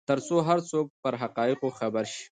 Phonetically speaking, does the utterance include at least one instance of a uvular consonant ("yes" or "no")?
yes